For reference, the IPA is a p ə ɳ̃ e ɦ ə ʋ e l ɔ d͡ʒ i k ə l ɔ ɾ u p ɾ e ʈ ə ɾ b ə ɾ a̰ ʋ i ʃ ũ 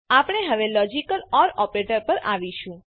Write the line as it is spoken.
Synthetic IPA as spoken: a p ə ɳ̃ e ɦ ə ʋ e l ɔ d͡ʒ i k ə l ɔ ɾ ɔ p ɾ e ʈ ə ɾ p ə ɾ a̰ ʋ i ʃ ũ